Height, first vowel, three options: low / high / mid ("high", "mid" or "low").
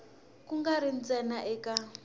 high